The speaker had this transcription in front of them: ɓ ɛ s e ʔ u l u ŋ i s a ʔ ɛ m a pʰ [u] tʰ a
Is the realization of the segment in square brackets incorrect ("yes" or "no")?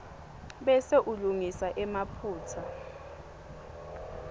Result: yes